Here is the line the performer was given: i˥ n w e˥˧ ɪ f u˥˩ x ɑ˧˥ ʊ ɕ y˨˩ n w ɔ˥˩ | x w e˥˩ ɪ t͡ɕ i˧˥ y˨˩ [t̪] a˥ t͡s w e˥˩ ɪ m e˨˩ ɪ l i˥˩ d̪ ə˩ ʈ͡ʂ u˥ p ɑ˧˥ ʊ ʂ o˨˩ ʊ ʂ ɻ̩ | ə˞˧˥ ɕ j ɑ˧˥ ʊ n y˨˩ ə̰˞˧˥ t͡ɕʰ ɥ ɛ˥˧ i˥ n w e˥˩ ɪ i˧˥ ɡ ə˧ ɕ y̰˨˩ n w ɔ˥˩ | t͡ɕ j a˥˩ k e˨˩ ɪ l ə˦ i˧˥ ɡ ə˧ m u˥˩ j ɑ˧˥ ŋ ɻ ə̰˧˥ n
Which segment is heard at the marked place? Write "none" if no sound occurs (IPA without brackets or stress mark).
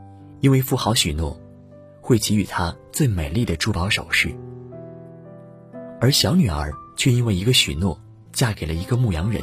t̪ʰ